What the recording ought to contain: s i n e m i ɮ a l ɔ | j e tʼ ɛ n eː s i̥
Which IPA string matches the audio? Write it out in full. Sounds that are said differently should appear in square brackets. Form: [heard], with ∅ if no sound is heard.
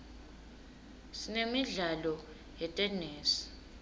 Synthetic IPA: s i n e m i ɮ a l ɔ | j [ɛ] tʼ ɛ n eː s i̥